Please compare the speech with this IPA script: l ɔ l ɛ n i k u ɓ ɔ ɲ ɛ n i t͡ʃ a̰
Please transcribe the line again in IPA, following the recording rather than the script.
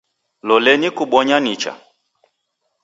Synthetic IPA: l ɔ l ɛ n i k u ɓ ɔ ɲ a n i t͡ʃ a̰